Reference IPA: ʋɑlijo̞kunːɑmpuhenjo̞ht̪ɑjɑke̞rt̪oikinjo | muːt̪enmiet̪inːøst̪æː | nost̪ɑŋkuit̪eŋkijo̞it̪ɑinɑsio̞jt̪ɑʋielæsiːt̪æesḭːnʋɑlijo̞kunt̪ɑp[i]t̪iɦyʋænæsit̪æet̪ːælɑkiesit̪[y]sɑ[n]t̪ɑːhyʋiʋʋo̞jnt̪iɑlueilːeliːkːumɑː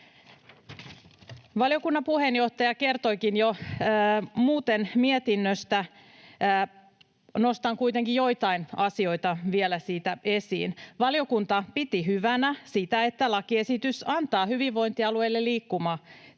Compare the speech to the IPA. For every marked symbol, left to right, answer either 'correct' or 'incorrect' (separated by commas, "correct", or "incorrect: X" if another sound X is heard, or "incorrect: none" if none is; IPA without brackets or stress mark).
correct, correct, correct